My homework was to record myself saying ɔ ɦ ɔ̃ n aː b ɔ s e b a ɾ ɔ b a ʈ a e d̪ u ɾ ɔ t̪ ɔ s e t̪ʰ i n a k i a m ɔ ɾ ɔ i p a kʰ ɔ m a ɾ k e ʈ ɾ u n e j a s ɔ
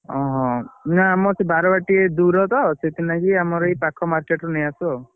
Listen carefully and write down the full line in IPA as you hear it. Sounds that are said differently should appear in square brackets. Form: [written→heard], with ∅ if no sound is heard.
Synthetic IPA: ɔ ɦ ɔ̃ n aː [b→m] ɔ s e b a ɾ ɔ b a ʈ [a→i] e d̪ u ɾ ɔ t̪ ɔ s e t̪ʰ i n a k i a m ɔ ɾ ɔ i p a kʰ ɔ m a ɾ k e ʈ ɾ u n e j a s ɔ